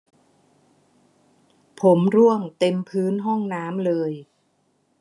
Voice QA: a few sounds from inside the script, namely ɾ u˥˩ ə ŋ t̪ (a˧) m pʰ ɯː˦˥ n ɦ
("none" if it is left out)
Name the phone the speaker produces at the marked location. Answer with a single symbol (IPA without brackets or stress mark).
e˧